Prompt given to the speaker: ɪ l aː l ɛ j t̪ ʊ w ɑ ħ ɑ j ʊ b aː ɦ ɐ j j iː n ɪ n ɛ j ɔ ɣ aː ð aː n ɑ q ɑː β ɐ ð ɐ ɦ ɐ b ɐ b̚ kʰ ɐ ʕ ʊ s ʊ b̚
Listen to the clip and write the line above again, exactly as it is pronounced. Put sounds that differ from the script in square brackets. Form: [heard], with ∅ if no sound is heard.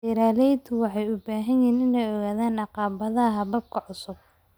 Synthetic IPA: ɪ [ɾ] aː l ɛ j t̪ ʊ w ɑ ħ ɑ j ʊ b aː ɦ ɐ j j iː n ɪ n ɛ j ɔ ɣ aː ð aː n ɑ q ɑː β ɐ ð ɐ ɦ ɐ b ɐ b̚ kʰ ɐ ʕ ʊ s ʊ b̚